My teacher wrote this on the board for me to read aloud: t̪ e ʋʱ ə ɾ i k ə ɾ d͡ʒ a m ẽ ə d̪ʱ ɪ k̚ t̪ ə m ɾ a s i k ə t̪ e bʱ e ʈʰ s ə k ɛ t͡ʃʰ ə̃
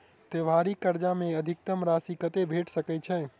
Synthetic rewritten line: t̪ e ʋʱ a ɾ i k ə ɾ d͡ʒ a m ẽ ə d̪ʱ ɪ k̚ t̪ ə m ɾ a s i k ə t̪ e bʱ e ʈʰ s ə k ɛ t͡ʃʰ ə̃